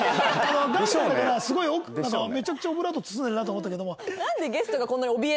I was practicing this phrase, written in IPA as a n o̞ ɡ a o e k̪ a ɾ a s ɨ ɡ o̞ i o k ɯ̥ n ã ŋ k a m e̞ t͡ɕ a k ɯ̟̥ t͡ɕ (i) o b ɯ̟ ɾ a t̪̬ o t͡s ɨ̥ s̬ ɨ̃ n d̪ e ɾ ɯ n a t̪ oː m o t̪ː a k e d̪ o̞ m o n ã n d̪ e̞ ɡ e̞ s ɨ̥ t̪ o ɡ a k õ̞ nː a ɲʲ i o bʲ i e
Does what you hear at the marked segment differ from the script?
yes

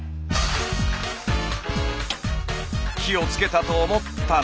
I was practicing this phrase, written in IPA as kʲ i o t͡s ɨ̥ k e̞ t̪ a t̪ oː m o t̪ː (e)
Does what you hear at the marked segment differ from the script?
yes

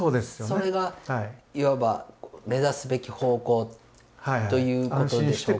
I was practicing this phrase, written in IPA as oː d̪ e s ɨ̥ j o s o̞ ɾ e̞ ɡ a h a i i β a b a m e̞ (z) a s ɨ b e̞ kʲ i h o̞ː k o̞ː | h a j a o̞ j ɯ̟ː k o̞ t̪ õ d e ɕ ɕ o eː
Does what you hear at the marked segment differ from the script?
no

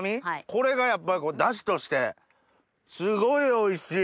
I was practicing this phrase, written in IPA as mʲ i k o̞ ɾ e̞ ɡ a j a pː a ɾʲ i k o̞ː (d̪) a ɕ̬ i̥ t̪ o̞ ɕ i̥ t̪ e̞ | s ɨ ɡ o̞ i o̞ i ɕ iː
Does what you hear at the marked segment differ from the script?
no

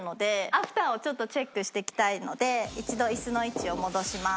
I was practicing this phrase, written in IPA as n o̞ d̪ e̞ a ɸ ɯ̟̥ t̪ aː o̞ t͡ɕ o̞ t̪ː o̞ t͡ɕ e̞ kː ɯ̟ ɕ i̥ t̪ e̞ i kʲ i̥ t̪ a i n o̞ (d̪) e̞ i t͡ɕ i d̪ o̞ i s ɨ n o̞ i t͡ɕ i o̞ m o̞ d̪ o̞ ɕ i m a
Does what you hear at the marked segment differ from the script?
no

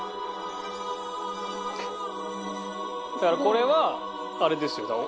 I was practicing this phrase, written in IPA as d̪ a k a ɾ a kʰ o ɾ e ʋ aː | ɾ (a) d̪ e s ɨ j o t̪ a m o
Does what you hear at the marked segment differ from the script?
yes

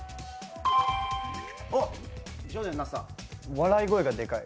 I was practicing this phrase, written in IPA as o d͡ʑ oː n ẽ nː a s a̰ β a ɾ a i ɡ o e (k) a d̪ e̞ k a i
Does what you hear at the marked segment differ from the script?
yes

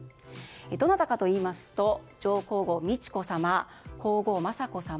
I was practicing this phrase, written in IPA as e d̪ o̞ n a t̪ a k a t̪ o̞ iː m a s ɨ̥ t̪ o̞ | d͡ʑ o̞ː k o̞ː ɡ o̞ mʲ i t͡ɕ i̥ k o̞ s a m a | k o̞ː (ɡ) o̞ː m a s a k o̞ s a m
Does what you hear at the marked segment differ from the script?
no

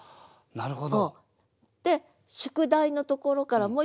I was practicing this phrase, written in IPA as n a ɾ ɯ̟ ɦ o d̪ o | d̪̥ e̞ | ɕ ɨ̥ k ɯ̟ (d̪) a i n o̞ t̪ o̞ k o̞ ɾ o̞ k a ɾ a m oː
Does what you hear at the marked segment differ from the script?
no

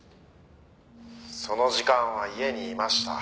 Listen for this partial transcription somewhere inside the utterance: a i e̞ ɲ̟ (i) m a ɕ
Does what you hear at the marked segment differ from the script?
yes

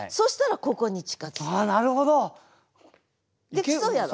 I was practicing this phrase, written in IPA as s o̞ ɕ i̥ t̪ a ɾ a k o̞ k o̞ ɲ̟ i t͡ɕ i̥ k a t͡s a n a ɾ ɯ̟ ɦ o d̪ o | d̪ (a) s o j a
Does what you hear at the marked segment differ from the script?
yes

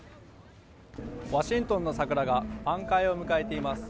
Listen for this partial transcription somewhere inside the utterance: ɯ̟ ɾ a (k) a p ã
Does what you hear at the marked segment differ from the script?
yes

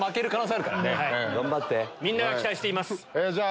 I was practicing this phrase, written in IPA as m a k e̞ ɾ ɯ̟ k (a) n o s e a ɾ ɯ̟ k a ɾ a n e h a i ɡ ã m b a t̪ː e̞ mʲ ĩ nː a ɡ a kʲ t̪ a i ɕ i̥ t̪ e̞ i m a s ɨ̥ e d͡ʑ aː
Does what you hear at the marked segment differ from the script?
no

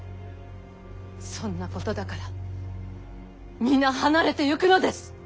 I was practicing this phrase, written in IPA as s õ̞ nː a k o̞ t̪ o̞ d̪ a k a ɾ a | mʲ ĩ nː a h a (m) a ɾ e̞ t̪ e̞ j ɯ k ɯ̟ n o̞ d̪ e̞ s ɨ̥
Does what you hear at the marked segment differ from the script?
yes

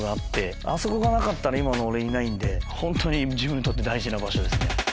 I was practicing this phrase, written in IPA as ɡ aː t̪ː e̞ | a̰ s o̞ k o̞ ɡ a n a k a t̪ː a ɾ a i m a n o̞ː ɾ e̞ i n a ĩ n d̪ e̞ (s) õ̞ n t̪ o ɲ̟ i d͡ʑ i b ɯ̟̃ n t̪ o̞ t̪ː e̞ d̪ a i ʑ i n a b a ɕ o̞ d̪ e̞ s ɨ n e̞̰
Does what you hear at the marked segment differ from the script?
yes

